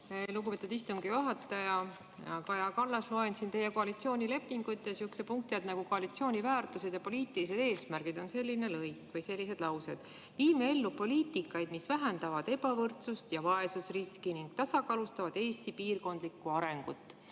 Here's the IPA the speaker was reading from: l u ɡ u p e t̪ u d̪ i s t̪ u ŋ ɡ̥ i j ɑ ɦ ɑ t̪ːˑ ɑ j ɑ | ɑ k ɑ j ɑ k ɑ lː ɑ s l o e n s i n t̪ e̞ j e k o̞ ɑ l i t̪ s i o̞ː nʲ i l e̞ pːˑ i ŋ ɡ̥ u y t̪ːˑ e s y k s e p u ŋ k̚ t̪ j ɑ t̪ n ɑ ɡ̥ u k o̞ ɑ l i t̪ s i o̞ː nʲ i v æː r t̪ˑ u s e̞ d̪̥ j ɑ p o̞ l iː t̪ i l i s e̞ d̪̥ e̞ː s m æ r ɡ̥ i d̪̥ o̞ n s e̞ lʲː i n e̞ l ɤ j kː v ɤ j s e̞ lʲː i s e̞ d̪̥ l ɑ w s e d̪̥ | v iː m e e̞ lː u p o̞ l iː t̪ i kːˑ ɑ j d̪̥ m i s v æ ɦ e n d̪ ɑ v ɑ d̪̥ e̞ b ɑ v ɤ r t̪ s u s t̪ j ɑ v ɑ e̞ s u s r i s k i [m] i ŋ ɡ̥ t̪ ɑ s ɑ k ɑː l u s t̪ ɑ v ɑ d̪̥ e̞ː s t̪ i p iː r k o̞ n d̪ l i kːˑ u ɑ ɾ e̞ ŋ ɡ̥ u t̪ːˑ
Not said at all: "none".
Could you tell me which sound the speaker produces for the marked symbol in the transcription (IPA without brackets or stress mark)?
n